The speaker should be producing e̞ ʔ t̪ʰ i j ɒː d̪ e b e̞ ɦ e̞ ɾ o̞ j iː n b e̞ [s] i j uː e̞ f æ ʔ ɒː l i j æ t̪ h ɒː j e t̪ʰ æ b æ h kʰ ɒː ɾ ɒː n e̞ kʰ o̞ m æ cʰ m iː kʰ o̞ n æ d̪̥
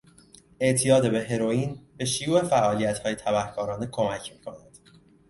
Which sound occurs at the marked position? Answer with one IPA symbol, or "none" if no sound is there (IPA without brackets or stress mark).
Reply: ʃ